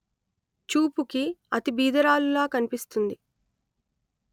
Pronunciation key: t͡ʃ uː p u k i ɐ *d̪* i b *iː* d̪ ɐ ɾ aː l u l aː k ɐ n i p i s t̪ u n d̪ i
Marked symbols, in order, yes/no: no, yes

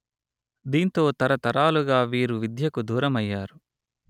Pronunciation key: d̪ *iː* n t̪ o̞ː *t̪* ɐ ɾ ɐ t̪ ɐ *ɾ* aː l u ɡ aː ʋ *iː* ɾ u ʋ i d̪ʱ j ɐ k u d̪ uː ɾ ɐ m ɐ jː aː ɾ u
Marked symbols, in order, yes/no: yes, yes, yes, yes

